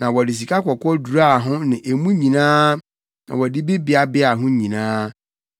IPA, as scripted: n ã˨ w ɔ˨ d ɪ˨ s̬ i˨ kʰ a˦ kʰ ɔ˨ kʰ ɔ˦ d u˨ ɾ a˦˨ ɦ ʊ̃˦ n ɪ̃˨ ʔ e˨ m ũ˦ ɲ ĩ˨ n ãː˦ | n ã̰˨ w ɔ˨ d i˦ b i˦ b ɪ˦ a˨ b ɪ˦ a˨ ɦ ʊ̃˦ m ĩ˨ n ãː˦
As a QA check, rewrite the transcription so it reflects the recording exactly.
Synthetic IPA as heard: n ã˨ w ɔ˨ d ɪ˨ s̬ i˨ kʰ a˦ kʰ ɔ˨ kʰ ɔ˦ d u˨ ɾ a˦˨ ɦ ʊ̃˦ n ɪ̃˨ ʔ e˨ m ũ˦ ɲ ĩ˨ n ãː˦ | n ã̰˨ w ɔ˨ d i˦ b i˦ b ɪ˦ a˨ b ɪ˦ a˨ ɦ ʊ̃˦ ɲ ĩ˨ n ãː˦